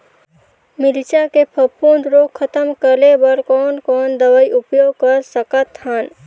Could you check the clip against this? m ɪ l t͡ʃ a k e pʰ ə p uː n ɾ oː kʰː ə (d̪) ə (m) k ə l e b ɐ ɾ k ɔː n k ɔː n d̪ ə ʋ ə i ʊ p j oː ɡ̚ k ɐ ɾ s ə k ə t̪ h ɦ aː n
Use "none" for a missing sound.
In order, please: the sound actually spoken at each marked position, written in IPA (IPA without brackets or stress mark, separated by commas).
t̪, m